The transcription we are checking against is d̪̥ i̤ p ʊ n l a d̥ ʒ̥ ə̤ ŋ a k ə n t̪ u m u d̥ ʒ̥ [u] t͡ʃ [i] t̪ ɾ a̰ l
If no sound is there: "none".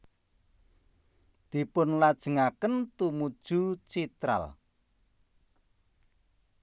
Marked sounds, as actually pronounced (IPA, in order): u, i

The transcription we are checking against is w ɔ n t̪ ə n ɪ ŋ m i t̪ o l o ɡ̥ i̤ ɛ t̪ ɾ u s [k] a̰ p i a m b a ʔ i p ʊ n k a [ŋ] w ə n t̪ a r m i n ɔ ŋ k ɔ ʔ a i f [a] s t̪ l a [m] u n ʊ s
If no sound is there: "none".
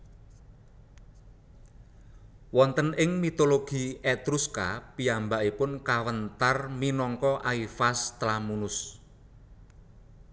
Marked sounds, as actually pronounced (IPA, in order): k, none, a, m

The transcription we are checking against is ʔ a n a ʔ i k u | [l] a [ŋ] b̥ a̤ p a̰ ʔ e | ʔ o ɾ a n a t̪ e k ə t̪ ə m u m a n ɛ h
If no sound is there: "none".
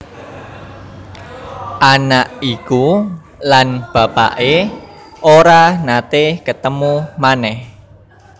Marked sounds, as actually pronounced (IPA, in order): l, n

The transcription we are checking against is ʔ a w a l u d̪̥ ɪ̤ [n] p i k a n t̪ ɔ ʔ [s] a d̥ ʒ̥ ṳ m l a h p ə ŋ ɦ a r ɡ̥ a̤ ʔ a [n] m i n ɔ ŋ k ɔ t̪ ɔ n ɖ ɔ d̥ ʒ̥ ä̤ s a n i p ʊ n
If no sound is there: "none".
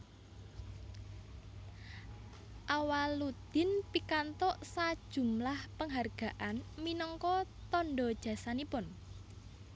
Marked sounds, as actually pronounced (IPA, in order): n, s, n

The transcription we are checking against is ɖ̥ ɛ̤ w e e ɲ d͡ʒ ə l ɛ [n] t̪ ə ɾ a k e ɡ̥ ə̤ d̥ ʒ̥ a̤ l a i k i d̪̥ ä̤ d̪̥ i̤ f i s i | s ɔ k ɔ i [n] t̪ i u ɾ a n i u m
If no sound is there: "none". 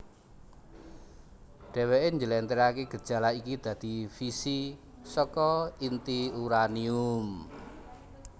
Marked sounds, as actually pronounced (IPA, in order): n, n

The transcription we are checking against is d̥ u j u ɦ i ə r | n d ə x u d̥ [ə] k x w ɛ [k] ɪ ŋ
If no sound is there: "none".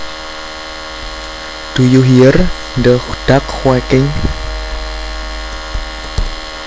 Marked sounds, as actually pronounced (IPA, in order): a, k

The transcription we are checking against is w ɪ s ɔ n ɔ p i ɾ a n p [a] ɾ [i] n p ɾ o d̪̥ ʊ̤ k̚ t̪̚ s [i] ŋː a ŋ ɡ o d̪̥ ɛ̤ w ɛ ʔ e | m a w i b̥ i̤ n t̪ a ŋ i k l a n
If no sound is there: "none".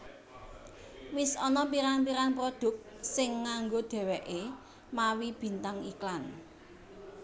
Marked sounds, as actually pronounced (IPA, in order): i, a, ɪ

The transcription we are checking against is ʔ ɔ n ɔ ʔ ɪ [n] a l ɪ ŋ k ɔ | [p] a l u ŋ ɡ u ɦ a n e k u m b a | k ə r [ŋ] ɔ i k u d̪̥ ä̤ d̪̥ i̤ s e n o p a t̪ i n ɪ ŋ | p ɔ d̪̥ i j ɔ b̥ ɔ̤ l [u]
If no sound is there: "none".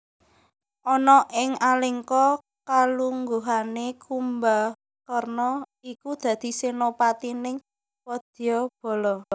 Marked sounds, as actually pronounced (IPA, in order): ŋ, k, n, ɔ

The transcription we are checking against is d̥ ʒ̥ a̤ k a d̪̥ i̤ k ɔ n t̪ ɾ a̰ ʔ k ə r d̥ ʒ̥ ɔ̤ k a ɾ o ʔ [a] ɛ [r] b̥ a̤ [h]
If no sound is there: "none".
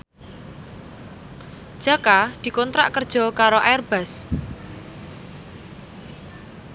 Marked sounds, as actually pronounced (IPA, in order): a, r, s

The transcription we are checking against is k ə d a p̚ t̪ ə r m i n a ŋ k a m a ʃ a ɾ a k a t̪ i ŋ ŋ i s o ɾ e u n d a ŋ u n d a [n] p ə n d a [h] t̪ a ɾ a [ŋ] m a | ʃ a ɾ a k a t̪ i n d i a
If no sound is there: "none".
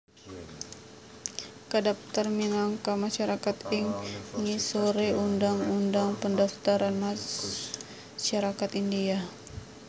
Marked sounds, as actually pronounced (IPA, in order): ŋ, f, n

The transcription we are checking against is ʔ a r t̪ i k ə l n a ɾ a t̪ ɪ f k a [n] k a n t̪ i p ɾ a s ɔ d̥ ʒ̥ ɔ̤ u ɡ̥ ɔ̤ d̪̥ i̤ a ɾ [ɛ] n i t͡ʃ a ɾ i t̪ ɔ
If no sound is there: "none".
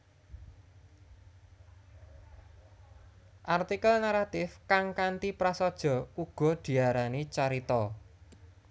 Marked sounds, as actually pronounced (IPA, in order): ŋ, a

